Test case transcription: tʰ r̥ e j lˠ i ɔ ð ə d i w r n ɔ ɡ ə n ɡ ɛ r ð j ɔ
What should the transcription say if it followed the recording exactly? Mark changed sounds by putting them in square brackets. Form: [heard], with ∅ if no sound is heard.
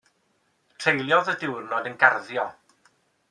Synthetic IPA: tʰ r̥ e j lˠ [j] ɔ ð ə d [ɪ] w r n ɔ [d] ə n ɡ [a] r ð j ɔ